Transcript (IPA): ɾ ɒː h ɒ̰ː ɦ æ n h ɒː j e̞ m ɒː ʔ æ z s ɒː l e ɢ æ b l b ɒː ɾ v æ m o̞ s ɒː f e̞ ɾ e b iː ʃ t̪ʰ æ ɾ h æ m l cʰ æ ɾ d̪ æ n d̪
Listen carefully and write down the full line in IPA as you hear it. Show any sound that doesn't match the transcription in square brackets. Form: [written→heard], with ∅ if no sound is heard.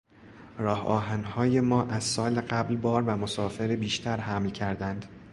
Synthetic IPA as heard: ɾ ɒː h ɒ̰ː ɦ æ n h ɒː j e̞ m ɒː ʔ æ z s ɒː l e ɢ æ b l b ɒː ɾ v æ m o̞ s ɒː f e̞ ɾ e b iː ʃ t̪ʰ æ ɾ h æ m l cʰ æ ɾ d̪ æ n d̪

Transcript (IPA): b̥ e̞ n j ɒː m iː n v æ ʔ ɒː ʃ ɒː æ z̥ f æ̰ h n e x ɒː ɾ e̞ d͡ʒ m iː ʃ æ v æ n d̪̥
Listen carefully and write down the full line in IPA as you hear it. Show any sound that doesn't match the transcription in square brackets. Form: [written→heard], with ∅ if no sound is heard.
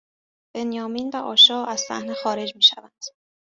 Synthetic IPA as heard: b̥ e̞ n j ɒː m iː n v æ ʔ ɒː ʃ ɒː æ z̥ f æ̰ h n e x ɒː ɾ e̞ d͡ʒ m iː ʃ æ v æ n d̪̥

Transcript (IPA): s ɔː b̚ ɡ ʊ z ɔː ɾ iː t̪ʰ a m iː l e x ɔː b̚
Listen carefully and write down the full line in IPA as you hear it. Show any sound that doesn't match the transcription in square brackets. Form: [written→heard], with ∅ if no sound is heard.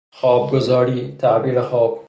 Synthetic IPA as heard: [s→x] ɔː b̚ ɡ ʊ z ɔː ɾ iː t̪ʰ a [m→b] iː [l→ɾ] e x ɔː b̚

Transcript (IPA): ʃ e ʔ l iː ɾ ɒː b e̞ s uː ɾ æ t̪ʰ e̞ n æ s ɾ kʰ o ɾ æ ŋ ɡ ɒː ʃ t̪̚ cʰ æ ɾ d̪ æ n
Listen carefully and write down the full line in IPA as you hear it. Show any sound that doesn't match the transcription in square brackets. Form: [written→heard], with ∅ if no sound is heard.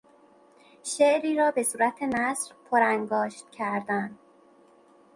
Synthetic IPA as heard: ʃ e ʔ [l→ɾ] iː ɾ ɒː b e̞ s uː ɾ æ t̪ʰ e̞ n æ s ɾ [kʰ→pʰ] o ɾ æ ŋ ɡ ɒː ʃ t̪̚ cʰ æ ɾ d̪ æ n

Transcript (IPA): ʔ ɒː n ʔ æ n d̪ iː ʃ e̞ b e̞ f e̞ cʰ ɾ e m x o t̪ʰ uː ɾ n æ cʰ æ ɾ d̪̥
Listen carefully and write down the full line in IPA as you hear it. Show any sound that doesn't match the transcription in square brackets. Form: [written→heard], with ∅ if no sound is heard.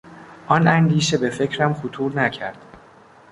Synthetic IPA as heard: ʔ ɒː n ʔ æ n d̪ iː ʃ e̞ b e̞ f e̞ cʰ ɾ [e→æ] m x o t̪ʰ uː ɾ n æ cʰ æ ɾ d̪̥

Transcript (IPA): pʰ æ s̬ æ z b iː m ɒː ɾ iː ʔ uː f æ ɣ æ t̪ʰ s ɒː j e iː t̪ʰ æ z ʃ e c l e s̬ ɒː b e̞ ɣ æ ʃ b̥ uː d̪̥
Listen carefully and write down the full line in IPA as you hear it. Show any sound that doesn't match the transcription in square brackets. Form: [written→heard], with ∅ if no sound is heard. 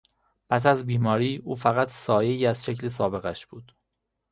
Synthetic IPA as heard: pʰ æ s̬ æ z b iː m ɒː ɾ iː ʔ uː f æ ɣ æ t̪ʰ s ɒː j e iː [t̪ʰ→∅] æ z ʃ e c l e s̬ ɒː b e̞ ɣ æ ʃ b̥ uː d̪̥

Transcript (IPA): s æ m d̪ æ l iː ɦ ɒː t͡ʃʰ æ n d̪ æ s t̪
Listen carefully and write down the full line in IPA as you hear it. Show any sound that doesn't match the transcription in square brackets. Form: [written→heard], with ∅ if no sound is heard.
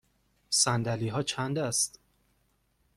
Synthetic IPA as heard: s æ [m→n] d̪ æ l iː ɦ ɒː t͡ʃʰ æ n d̪ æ s t̪

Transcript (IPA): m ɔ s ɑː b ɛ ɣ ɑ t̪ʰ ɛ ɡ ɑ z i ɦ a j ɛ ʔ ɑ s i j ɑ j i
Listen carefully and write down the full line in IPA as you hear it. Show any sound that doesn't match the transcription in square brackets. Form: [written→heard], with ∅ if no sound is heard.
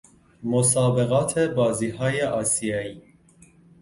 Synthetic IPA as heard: m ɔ s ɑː b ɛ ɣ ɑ t̪ʰ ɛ [ɡ→b] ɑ z i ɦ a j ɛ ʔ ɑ s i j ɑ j i

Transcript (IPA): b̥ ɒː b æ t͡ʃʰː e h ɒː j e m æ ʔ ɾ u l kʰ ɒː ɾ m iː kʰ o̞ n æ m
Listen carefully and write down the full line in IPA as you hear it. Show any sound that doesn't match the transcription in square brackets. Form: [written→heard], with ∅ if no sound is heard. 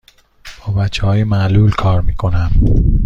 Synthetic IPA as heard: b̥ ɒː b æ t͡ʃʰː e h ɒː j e m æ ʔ [ɾ→l] u l kʰ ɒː ɾ m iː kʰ o̞ n æ m

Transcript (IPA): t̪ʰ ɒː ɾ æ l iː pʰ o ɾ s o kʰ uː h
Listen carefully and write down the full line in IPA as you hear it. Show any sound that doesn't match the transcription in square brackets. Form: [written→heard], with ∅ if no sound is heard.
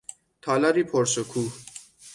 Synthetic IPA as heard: t̪ʰ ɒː [ɾ→l] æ [l→ɾ] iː pʰ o ɾ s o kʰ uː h

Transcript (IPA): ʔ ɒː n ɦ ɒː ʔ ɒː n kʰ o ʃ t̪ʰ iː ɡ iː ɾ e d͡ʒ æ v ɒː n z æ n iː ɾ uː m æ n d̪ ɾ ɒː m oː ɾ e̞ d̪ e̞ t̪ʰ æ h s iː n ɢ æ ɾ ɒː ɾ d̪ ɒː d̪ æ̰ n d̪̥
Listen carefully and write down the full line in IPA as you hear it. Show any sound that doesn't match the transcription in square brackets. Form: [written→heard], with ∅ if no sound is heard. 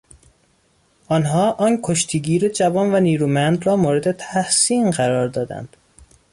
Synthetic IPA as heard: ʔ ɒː n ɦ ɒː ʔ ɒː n kʰ o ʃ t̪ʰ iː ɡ iː ɾ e d͡ʒ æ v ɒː n [z→v] æ n iː ɾ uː m æ n d̪ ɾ ɒː m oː ɾ e̞ d̪ e̞ t̪ʰ æ h s iː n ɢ æ ɾ ɒː ɾ d̪ ɒː d̪ æ̰ n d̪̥

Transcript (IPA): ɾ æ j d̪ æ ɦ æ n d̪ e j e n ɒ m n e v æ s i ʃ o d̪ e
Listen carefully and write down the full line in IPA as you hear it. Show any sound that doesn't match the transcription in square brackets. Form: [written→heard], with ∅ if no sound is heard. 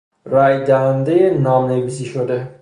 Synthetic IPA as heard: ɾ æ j d̪ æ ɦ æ n d̪ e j e n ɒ m n e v [æ→i] s i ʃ o d̪ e

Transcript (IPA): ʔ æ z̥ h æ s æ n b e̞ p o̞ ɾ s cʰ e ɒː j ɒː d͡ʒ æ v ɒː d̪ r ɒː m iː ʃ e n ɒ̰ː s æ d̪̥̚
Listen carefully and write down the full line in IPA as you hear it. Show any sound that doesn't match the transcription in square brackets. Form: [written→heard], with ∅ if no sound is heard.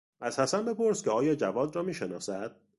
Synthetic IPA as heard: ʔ æ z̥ h æ s æ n b e̞ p o̞ ɾ s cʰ e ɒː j ɒː d͡ʒ æ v ɒː d̪ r ɒː m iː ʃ e n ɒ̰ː s æ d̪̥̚

